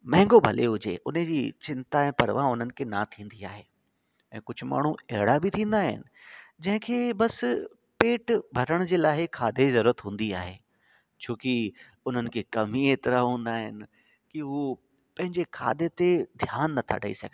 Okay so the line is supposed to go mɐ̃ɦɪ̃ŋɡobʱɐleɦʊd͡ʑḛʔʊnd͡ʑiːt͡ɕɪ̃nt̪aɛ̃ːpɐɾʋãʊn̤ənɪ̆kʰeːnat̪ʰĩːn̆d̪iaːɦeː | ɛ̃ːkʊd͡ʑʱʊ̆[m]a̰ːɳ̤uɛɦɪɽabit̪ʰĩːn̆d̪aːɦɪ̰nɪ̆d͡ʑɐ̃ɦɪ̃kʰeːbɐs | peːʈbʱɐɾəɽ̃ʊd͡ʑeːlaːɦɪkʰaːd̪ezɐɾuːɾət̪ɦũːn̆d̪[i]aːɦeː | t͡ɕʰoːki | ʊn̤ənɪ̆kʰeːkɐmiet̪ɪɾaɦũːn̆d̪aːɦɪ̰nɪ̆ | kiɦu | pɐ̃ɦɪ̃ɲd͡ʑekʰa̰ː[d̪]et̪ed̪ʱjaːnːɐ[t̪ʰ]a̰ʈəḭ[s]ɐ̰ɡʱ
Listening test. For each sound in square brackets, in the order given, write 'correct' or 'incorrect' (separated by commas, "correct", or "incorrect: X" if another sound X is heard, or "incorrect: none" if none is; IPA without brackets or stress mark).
correct, correct, correct, correct, correct